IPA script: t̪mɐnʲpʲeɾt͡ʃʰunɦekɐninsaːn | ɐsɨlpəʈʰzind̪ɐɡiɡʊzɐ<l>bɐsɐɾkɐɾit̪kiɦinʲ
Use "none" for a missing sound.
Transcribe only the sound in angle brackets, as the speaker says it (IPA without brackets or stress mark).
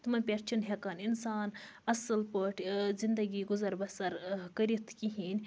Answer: ɾ